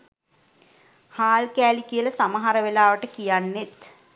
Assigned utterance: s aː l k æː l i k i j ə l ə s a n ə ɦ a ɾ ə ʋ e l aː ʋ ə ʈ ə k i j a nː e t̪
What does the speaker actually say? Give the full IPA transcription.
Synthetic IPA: h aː l k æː l i k i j ə l ə s a m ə ɦ a ɾ ə ʋ e l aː ʋ ə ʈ ə k i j a nː e t̪